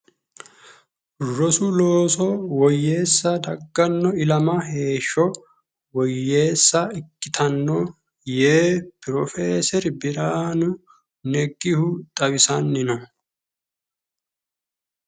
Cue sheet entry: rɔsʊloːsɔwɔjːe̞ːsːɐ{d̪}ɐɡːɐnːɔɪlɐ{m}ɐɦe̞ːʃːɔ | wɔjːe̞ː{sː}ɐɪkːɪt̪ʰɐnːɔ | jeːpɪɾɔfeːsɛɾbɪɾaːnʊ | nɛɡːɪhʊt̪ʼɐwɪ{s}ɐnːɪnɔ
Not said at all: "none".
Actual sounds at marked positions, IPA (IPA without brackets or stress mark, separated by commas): d̪, m, sː, s